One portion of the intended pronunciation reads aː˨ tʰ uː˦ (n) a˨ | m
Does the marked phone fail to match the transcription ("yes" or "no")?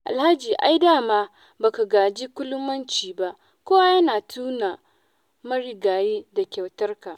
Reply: no